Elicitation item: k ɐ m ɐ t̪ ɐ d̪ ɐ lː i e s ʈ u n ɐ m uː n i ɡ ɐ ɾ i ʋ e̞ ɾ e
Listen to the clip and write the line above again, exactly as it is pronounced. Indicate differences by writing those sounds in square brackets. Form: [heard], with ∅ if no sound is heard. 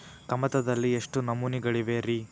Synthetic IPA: k ɐ m ɐ t̪ ɐ d̪ ɐ lː i e [ʂ] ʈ u n ɐ m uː n i ɡ ɐ [ɭ] i ʋ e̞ ɾ [i]